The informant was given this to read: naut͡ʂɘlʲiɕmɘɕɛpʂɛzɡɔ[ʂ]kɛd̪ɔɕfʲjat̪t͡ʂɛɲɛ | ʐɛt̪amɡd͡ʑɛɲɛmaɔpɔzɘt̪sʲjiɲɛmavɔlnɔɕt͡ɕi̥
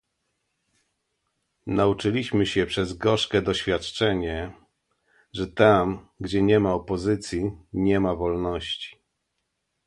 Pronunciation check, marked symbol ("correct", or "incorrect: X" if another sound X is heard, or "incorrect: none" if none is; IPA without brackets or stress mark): correct